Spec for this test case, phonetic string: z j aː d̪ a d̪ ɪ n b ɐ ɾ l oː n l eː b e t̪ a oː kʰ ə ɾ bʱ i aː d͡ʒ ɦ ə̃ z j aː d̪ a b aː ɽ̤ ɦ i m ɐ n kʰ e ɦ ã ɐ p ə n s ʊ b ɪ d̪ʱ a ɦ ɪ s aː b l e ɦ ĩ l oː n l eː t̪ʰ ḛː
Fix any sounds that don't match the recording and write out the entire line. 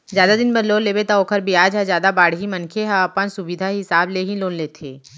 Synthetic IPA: z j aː d̪ a d̪ ɪ n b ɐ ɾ l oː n l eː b e t̪ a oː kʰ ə ɾ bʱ i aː d͡ʒ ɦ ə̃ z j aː d̪ a b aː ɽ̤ ɦ i m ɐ n kʰ e ɦ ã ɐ p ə n s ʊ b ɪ d̪ʱ a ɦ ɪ s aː b l e ɦ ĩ l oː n l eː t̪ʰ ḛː